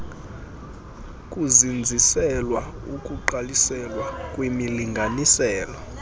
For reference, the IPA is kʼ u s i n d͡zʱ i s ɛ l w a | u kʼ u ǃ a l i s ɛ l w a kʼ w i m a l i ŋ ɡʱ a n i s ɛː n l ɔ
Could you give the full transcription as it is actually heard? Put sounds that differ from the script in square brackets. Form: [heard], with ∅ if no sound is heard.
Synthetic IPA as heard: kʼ u [z] i n d͡zʱ i s ɛ l w a | u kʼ u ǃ a l i s ɛ l w a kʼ w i m [i] l i ŋ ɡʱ a n i s ɛː [∅] l ɔ